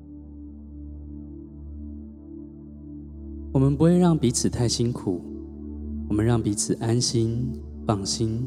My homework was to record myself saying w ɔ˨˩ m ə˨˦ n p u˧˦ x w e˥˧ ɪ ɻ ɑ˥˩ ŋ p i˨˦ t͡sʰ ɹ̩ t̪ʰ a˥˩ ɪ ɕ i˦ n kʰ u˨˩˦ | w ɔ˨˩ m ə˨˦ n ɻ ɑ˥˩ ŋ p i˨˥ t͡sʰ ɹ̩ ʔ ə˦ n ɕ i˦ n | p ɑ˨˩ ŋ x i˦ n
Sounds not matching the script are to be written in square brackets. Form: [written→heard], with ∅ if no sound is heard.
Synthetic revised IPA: w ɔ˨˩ m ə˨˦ n p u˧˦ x w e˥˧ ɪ ɻ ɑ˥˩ ŋ p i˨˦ t͡sʰ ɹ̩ t̪ʰ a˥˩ ɪ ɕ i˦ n kʰ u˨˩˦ | w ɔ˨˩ m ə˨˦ n ɻ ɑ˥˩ ŋ p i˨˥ t͡sʰ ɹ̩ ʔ [ə˦→a˦] n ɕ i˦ n | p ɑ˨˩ ŋ [x→ɕ] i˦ n